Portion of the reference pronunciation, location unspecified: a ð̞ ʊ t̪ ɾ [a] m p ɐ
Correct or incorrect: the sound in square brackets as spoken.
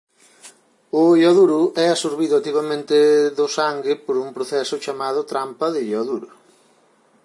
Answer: correct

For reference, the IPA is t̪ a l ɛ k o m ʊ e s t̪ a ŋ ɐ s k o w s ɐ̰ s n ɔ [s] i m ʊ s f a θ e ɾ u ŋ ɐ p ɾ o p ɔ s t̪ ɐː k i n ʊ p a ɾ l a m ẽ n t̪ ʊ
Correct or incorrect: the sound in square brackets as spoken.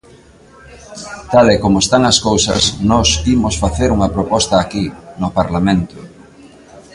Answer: correct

